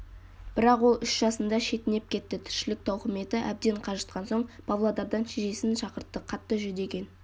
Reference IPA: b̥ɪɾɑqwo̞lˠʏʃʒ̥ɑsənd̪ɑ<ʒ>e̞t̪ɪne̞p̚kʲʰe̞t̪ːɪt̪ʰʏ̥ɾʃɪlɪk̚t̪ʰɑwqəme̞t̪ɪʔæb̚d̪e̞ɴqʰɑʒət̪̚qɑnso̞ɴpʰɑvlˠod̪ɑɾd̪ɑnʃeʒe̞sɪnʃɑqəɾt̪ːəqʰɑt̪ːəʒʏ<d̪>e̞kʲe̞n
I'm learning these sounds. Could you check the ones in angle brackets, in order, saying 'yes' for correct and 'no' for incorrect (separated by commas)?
no, yes